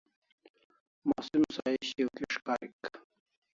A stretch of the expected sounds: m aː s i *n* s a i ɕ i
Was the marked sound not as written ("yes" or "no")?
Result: yes